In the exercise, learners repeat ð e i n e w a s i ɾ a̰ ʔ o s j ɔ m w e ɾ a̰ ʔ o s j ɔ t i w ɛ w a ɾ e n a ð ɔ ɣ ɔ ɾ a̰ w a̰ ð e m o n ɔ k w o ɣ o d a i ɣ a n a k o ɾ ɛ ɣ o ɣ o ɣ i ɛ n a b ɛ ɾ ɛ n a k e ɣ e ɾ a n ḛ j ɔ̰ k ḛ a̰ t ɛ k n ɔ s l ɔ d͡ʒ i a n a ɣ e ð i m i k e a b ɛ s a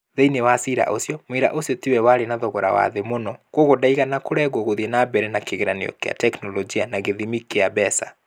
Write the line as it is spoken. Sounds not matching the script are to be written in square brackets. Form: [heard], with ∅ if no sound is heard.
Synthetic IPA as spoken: ð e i n e w a s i ɾ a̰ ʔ o s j ɔ m w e ɾ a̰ ʔ o s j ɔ t i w ɛ w a ɾ e n a ð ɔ ɣ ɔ ɾ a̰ w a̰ ð e m o n ɔ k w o ɣ o d a i ɣ a n a k o ɾ ɛ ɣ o ɣ o [ð] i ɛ n a b ɛ ɾ ɛ n a k e ɣ e ɾ a n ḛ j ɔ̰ k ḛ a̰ t ɛ k n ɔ [∅] l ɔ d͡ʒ i a n a ɣ e ð i m i k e a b ɛ s a